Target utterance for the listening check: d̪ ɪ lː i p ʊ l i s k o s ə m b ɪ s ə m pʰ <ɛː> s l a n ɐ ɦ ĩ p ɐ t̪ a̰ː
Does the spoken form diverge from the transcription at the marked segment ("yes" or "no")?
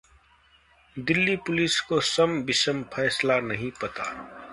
no